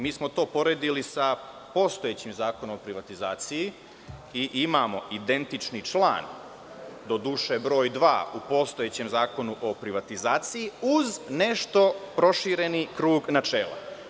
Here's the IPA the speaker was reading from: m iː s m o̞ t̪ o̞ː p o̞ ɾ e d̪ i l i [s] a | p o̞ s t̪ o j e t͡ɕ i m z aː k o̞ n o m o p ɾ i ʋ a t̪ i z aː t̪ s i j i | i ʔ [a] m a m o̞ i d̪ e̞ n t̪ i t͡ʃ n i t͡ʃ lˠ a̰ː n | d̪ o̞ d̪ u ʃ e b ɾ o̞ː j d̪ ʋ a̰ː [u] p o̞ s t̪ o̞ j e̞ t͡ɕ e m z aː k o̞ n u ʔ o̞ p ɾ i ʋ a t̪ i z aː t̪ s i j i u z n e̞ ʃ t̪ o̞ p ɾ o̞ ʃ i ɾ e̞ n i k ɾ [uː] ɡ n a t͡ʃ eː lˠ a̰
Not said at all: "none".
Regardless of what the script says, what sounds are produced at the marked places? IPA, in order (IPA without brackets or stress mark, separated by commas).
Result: s, i, u, uː